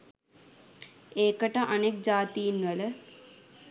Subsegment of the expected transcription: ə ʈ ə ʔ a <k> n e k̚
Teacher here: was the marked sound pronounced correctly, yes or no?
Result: no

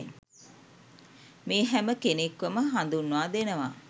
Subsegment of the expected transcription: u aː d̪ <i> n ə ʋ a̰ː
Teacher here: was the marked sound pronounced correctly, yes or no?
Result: no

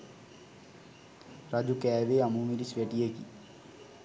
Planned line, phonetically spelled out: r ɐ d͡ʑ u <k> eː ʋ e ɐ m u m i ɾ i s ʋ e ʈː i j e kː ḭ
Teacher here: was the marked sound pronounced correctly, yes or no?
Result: yes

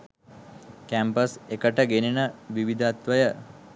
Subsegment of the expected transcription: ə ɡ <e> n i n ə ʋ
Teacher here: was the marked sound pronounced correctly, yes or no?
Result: yes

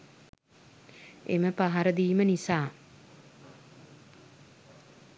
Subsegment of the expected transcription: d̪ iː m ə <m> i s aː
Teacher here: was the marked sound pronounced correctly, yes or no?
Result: no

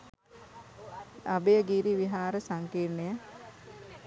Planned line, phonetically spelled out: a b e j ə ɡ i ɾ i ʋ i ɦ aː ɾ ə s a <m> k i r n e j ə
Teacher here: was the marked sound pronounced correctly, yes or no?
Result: no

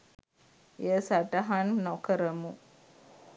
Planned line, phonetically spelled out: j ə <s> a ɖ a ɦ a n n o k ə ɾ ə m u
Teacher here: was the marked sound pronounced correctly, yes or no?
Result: yes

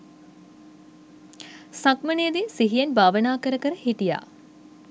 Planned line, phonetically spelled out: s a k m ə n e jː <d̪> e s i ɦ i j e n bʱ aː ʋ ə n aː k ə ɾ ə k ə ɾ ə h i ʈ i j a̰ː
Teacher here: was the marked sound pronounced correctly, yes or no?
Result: yes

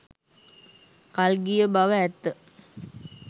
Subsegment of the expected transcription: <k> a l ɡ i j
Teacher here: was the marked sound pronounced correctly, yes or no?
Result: yes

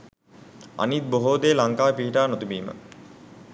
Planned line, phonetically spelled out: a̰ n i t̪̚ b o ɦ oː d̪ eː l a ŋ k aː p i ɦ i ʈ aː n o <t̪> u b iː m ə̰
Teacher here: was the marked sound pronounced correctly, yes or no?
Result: yes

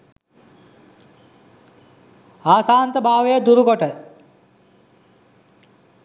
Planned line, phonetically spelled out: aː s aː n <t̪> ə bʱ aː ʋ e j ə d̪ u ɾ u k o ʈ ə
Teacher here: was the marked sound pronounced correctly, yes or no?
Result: yes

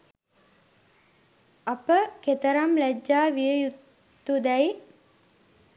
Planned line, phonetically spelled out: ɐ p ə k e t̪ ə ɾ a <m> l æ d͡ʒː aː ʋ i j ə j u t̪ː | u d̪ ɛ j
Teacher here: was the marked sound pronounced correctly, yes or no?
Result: yes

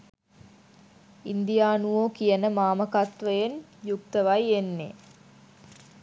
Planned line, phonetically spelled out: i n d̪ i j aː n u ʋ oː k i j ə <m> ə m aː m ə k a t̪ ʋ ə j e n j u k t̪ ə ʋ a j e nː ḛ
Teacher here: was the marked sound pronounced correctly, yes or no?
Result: no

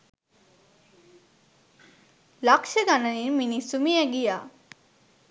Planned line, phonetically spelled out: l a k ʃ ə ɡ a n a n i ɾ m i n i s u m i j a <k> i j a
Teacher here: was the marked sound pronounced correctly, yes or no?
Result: no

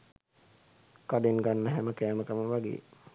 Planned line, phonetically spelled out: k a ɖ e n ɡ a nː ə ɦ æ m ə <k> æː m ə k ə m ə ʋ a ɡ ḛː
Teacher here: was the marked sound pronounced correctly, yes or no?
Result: yes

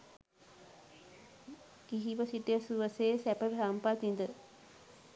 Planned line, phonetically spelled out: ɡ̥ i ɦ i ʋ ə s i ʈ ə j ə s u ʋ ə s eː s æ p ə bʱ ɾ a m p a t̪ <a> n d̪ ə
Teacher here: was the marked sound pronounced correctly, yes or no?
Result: no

